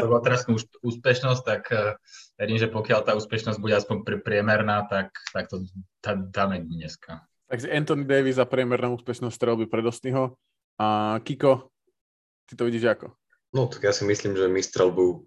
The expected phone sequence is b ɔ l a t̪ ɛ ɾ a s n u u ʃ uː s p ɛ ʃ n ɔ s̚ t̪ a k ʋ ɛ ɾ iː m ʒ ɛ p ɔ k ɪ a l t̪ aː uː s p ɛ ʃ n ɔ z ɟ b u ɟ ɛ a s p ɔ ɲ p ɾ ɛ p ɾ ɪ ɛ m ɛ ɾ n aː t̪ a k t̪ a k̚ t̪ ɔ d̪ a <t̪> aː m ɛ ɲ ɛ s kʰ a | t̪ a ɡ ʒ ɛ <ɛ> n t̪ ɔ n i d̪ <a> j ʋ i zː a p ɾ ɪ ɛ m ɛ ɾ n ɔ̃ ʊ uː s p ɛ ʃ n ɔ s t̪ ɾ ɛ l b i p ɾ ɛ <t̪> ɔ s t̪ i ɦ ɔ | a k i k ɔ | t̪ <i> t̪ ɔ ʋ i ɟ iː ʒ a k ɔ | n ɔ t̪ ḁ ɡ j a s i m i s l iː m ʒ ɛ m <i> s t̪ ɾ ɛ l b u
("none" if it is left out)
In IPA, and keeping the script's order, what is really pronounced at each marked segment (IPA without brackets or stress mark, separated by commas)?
d̪, ɛ, ɛ, d̪, i, i